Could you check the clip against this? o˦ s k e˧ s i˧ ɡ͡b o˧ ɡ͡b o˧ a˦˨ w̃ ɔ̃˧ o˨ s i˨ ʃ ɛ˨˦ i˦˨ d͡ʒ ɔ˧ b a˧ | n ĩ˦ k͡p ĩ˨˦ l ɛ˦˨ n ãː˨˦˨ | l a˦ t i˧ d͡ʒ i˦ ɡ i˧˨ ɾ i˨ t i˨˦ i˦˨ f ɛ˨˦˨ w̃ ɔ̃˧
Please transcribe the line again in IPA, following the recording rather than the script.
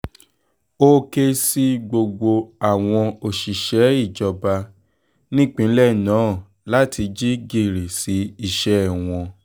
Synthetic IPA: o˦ k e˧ s i˧ ɡ͡b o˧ ɡ͡b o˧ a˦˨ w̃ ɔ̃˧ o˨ ʃ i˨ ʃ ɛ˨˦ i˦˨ d͡ʒ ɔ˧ b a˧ | n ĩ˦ k͡p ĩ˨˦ l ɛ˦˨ n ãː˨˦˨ | l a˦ t i˧ d͡ʒ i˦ ɡ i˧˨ ɾ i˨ s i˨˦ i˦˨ ʃ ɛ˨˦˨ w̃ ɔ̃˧